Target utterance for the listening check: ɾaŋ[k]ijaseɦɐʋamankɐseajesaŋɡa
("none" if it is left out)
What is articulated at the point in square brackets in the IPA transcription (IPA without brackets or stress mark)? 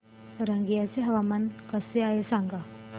ɡ